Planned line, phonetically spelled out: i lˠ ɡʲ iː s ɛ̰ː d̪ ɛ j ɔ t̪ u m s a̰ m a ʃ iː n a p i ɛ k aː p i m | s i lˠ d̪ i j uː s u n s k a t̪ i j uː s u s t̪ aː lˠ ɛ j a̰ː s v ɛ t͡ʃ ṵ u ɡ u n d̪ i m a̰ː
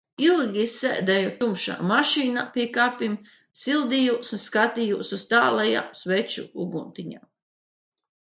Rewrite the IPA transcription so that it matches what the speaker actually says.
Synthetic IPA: i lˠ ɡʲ i s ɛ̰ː d̪ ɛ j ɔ t̪ u m ʃ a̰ m a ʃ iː n a p i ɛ k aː p i m | s i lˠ d̪ i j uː s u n s k a t̪ i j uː s u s t̪ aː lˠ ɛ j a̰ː s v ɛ t͡ʃ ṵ u ɡ u n t̪ i ɲ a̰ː